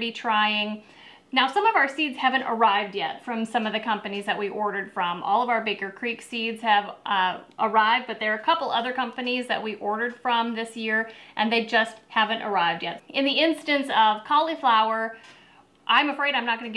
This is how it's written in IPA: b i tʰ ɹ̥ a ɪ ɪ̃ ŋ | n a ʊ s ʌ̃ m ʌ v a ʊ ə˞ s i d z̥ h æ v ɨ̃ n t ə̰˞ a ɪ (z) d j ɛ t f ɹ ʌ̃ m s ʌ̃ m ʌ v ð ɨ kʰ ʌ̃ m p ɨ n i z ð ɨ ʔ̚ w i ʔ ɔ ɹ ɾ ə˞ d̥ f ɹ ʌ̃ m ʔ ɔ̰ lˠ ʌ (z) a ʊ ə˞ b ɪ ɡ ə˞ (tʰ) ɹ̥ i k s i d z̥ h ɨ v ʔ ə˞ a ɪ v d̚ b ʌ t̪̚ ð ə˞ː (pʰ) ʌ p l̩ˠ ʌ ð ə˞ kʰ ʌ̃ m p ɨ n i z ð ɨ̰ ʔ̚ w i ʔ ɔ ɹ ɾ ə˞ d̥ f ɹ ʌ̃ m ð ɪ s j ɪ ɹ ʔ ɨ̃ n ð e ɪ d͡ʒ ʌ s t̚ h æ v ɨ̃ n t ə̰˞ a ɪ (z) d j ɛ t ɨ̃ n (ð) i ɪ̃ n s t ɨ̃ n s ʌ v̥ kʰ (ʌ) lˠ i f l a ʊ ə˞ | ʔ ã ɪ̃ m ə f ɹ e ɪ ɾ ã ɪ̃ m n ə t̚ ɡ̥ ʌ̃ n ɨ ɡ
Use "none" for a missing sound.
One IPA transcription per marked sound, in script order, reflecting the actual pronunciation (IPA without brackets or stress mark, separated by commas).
v, v, kʰ, kʰ, v, ð, ɑ